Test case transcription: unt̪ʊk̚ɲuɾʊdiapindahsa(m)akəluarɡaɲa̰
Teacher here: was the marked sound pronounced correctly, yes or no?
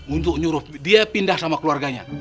yes